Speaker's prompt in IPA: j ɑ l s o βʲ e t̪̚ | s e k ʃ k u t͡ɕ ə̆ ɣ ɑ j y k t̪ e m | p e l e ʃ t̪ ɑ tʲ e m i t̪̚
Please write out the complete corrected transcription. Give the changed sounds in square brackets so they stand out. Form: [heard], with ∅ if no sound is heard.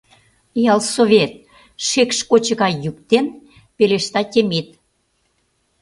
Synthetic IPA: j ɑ l s o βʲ e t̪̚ | [ʃ] e k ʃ k [o] t͡ɕ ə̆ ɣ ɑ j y k t̪ e [n] | p e l e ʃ t̪ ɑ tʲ e m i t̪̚